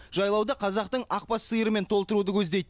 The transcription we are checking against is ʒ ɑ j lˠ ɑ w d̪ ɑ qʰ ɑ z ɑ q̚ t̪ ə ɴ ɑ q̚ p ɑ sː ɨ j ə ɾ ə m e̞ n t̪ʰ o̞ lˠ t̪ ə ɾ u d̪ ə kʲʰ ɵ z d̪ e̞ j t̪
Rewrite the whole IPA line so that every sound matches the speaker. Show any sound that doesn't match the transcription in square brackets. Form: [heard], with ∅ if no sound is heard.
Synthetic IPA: ʒ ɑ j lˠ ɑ w d̪ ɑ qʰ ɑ z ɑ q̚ t̪ ə ɴ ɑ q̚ p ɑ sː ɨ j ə ɾ ə m e̞ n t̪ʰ o̞ lˠ t̪ ə ɾ u d̪ ə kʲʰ ɵ z d̪ e̞ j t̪